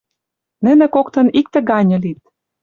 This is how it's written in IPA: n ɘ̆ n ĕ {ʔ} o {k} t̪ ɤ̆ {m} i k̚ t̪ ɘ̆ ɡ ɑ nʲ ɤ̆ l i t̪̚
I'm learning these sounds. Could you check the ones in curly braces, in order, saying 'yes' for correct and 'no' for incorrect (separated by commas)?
no, yes, no